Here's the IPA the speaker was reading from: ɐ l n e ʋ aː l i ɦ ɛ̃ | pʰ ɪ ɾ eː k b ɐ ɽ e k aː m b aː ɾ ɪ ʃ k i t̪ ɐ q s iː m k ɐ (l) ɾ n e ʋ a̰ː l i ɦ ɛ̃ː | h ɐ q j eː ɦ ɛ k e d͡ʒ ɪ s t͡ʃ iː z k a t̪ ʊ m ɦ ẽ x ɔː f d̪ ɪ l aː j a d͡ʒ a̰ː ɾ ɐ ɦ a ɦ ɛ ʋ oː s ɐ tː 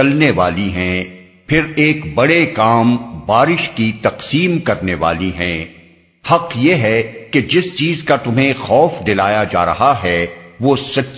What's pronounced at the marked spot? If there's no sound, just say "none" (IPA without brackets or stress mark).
none